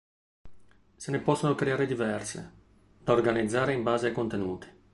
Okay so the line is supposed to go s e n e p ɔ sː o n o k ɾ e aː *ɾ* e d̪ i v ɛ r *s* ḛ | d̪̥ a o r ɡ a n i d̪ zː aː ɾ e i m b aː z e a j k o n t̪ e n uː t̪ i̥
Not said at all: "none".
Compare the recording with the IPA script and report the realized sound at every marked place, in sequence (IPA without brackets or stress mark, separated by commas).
ɾ, s